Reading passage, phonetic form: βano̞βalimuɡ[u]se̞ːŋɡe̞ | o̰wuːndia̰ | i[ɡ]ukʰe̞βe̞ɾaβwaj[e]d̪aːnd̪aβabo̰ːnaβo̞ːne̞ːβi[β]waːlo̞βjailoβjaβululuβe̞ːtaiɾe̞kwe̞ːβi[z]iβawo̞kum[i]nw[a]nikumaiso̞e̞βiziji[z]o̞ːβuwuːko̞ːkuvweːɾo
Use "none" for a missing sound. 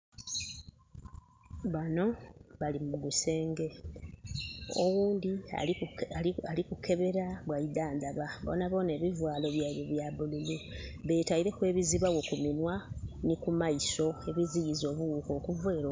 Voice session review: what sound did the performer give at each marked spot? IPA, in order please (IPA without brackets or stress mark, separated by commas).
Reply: u, k, i, v, z, i, a, z